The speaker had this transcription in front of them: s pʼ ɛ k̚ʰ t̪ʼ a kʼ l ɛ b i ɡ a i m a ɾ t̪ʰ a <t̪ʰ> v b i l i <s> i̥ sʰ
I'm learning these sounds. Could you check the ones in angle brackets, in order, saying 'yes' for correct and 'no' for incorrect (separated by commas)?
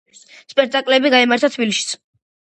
yes, no